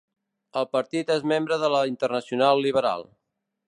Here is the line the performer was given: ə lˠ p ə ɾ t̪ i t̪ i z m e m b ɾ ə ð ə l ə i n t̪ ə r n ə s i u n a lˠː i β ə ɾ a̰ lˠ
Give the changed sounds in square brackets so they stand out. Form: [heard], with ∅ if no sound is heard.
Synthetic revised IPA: ə lˠ p ə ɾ t̪ i t̪ [e] z m e m b ɾ ə ð ə l ə i n t̪ ə r n ə s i u n a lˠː i β ə ɾ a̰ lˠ